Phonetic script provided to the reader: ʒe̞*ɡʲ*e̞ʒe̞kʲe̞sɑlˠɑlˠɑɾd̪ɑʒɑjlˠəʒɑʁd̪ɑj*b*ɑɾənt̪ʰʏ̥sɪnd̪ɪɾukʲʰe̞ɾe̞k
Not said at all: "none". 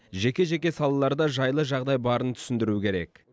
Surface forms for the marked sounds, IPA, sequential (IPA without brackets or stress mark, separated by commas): kʲ, b